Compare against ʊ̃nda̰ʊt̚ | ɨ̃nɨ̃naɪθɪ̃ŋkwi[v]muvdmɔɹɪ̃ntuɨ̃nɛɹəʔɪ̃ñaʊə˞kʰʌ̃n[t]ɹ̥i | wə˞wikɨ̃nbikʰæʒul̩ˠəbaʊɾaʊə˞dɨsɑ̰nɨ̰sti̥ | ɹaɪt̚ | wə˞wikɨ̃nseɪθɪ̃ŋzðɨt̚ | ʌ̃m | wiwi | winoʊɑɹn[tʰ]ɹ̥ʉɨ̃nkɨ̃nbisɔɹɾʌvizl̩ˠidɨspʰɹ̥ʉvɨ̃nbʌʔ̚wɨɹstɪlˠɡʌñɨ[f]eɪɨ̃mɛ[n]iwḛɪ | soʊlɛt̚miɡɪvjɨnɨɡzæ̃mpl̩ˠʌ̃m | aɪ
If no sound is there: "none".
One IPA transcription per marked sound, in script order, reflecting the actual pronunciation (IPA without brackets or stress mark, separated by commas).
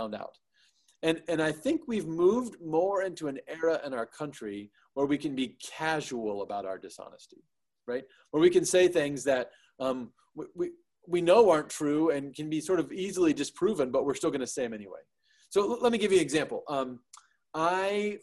v, t͡ʃ, tʰ, s, n